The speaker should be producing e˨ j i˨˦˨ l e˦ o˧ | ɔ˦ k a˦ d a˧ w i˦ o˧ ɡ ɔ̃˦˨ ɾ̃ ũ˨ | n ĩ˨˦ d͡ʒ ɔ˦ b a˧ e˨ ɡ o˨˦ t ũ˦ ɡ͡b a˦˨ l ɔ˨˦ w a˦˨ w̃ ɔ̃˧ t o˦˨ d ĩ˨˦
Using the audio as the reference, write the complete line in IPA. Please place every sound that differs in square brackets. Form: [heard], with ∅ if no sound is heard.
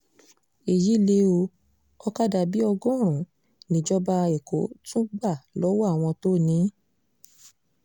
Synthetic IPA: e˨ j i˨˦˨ l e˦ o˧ | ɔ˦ k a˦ d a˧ [b] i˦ [ɔ˧] ɡ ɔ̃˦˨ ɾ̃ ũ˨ | n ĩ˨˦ d͡ʒ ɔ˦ b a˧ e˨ [k] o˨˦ t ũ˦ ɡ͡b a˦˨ l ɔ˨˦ w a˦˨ w̃ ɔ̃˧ t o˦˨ [n] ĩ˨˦